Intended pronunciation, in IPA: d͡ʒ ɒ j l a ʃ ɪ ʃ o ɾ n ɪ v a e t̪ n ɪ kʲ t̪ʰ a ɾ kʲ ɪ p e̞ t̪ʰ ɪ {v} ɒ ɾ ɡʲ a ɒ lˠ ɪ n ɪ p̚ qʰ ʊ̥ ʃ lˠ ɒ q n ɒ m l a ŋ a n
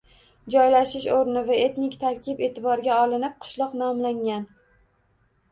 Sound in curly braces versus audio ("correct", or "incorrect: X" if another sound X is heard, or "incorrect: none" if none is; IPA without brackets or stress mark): incorrect: b